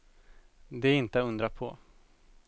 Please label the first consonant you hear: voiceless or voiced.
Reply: voiced